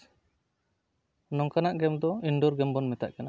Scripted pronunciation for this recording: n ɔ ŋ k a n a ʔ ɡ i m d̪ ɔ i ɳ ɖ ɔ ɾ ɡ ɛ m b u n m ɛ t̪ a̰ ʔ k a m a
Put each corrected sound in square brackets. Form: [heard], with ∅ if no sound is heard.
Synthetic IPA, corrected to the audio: n ɔ ŋ k a n a ʔ ɡ [ɛ] m d̪ ɔ i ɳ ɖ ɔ ɾ ɡ ɛ m b [ɔ] n m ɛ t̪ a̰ ʔ k a [n] a